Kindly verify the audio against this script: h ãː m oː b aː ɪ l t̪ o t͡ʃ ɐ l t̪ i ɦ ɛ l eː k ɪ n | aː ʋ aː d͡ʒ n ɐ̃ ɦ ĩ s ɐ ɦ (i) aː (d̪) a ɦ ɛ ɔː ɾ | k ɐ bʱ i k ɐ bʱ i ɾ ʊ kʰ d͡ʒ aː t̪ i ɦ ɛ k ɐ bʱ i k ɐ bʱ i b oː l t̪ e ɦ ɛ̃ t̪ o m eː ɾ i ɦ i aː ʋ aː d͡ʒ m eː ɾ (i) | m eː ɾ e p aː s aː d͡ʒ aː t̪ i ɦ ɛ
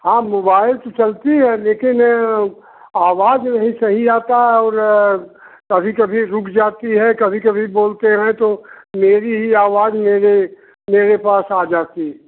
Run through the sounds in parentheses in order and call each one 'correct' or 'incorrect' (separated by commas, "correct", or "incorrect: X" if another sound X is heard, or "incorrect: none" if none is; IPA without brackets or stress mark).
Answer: correct, incorrect: t̪, incorrect: e